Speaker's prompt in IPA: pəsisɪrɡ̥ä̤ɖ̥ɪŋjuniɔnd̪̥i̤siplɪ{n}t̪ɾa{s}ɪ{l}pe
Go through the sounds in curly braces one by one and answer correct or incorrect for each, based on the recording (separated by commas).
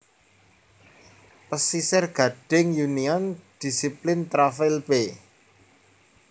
correct, incorrect, correct